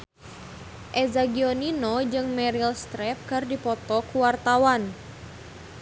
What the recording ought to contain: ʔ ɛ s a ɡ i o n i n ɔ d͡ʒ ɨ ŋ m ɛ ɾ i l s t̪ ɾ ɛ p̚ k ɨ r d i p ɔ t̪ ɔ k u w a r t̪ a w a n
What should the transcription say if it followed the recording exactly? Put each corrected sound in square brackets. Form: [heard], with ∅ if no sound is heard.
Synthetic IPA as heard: ʔ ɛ [z] a ɡ i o n i n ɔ d͡ʒ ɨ ŋ m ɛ ɾ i l s t̪ ɾ ɛ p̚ k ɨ r d i p ɔ t̪ ɔ k u w a r t̪ a w a n